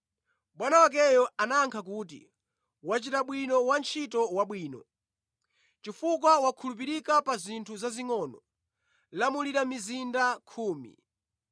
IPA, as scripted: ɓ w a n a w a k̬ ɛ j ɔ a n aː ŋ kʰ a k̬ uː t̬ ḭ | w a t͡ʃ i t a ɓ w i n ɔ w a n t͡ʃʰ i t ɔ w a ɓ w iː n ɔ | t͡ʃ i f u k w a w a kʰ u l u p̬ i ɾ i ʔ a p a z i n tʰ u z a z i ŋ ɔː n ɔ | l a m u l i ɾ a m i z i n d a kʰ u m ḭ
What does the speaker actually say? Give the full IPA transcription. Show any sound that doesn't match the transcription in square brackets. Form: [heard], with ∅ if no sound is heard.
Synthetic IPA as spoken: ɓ w a n a w a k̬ ɛ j ɔ a n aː ŋ kʰ a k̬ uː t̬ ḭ | w a t͡ʃ i t a ɓ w i n ɔ w a n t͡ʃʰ i t ɔ w a ɓ w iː n ɔ | t͡ʃ i f u k w a w a kʰ u l u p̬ i ɾ i [k] a p a z i n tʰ u z a z i ŋ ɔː n ɔ | l a m u l i ɾ a m i z i n d a kʰ [uː] m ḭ